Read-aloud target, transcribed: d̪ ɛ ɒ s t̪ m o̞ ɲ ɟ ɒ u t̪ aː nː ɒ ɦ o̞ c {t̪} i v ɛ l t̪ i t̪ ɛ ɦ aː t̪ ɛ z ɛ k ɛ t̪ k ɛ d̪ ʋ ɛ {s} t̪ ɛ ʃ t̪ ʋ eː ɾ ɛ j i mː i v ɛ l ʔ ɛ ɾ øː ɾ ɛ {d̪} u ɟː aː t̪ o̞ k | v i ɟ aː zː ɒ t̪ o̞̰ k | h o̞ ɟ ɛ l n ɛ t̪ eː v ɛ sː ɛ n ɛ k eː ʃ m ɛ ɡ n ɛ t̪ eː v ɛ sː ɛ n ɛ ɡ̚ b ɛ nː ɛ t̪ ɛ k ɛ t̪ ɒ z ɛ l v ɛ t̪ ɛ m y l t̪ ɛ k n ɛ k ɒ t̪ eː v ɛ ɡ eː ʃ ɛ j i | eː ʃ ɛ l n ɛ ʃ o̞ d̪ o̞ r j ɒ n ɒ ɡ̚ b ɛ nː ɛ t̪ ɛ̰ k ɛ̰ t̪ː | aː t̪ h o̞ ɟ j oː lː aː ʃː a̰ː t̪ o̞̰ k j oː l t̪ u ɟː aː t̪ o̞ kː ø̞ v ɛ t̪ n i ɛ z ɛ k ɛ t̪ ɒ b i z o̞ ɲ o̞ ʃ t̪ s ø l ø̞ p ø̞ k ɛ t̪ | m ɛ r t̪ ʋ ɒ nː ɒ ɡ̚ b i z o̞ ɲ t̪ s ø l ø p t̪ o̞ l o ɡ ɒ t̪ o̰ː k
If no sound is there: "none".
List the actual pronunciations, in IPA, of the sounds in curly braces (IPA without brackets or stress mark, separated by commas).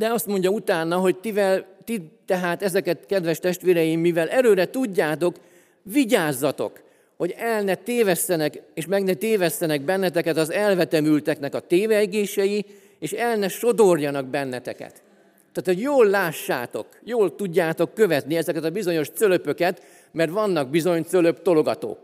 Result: t̪, ʃ, t̪